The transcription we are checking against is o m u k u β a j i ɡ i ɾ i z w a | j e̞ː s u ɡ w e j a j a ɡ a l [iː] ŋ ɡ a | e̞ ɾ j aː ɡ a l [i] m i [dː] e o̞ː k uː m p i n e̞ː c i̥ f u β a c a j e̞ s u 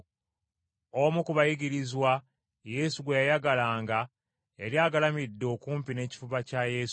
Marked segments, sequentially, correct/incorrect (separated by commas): incorrect, incorrect, correct